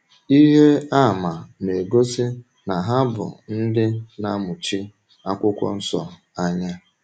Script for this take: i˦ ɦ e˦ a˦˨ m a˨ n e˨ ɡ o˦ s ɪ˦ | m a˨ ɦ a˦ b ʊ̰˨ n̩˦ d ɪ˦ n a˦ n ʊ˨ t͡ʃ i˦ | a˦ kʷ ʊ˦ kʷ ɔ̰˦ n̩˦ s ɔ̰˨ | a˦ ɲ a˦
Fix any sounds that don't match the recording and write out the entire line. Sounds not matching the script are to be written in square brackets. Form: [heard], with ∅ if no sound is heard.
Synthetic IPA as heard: i˦ ɦ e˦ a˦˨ m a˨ n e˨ ɡ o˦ s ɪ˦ | [n] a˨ ɦ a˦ b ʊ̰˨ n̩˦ d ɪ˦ n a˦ [m] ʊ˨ t͡ʃ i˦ | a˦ kʷ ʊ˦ kʷ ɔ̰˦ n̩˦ s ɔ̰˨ | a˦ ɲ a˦